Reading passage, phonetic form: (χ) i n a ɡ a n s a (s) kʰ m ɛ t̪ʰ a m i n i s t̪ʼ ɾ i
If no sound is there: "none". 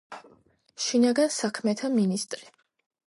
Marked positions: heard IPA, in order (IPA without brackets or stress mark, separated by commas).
ʃ, none